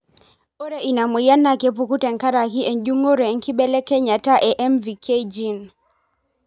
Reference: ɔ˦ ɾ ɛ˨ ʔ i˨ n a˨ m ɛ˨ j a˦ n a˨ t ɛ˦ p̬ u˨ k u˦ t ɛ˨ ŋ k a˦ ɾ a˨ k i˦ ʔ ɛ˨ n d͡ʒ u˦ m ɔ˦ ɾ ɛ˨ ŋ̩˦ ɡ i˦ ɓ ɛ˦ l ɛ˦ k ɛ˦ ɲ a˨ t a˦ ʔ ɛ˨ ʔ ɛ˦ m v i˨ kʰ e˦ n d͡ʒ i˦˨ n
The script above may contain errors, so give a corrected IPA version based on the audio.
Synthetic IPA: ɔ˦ ɾ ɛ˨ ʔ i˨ n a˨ m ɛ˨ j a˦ n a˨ k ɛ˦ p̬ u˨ k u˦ t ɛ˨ ŋ k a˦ ɾ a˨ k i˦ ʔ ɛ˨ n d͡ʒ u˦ ŋ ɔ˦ ɾ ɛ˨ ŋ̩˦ k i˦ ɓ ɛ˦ l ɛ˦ k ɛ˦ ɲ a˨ t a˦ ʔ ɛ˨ ʔ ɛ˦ m v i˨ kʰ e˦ d͡ʒ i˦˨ n